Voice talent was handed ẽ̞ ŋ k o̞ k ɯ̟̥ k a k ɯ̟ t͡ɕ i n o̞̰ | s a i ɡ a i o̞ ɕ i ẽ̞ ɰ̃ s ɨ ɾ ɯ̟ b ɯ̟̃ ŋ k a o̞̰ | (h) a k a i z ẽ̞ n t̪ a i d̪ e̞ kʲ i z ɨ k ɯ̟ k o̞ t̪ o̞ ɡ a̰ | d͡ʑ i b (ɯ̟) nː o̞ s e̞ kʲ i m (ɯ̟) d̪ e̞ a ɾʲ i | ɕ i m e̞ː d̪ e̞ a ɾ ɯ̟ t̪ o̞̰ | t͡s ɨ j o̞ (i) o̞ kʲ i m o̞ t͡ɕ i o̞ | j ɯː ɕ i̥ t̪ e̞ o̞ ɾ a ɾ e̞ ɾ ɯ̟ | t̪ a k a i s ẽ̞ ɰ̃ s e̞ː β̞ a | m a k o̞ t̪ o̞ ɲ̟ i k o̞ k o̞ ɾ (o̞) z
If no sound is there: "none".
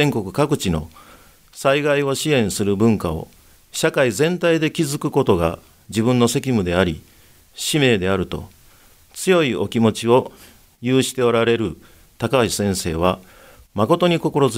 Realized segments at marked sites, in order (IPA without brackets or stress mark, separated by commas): ɕ, ɯ̟̃, ɯ̟, i, o̞